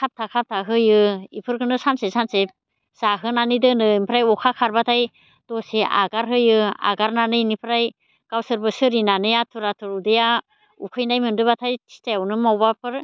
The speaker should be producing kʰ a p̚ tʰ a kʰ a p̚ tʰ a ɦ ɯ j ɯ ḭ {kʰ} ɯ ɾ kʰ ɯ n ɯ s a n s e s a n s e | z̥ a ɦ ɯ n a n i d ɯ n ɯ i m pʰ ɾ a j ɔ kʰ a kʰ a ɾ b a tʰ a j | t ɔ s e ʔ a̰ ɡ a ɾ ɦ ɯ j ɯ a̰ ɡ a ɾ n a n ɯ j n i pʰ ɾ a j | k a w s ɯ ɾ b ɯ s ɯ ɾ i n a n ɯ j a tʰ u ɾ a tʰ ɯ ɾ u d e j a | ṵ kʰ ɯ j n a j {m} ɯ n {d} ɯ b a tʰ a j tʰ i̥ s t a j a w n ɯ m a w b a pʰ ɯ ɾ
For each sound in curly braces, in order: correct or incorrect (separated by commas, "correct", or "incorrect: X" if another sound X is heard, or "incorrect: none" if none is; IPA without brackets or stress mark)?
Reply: incorrect: pʰ, correct, correct